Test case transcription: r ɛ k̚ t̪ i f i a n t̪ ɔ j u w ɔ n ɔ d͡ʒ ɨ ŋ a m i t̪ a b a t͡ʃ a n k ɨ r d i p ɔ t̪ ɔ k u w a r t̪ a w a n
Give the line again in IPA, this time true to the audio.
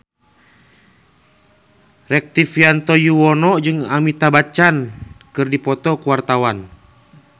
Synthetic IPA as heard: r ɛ k̚ t̪ i f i a n t̪ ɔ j u w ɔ n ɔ d͡ʒ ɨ ŋ a m i t̪ a b a t͡ʃ a n k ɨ r d i p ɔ t̪ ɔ k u w a r t̪ a w a n